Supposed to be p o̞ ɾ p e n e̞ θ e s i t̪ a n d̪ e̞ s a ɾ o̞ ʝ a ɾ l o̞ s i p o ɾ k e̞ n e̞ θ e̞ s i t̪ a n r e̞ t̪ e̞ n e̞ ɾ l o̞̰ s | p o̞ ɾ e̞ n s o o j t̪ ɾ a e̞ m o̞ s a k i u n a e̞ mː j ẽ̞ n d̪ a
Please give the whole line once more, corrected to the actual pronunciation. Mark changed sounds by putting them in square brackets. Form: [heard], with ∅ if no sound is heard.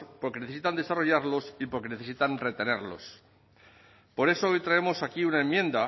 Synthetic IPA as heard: p o̞ ɾ [k] e n e̞ θ e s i t̪ a n d̪ e̞ s a [r] o̞ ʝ a ɾ l o̞ s i p o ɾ k e̞ n e̞ θ e̞ s i t̪ a n r e̞ t̪ e̞ n e̞ ɾ l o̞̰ s | p o̞ ɾ e̞ [∅] s o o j t̪ ɾ a e̞ m o̞ s a k i u n a e̞ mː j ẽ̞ n d̪ a